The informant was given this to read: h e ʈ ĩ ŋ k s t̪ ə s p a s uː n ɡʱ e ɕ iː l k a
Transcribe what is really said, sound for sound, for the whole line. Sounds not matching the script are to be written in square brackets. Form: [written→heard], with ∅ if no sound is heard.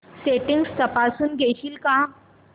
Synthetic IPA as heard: [h→s] e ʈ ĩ ŋ [k→ɡ] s t̪ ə [s→∅] p a s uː n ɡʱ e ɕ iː l k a